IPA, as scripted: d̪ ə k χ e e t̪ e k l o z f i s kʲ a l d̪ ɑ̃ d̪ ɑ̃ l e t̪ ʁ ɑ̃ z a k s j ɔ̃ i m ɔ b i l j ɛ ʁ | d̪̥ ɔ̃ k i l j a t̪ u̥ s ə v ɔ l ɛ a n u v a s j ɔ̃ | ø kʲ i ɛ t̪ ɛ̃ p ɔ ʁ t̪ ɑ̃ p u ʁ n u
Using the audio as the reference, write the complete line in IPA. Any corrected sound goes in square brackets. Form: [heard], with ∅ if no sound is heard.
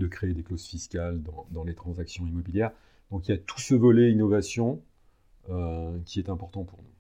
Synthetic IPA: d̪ ə k χ e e [d̪] e k l o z f i s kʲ a l d̪ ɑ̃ d̪ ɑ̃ l e t̪ [χ] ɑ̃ z a k s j ɔ̃ i m ɔ b i l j ɛ ʁ | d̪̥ ɔ̃ k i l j a t̪ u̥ s ə v ɔ l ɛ [i] n [ɔ] v a s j ɔ̃ | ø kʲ i ɛ t̪ ɛ̃ p ɔ ʁ t̪ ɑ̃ p u ʁ n u